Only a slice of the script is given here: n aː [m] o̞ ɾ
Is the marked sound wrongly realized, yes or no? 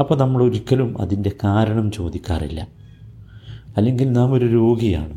no